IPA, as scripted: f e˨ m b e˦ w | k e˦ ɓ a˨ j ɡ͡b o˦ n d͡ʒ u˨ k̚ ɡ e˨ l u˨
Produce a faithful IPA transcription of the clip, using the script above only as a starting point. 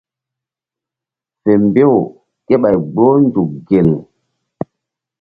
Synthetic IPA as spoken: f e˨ m b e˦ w | k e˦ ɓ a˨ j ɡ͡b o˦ n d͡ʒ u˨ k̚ ɡ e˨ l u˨